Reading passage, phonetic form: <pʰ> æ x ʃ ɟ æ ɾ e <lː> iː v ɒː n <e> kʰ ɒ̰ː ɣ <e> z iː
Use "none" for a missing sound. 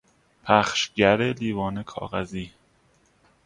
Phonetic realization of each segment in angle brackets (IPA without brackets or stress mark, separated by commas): pʰ, l, e, æ